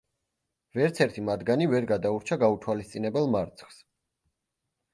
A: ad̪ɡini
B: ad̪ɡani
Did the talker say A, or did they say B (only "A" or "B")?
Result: B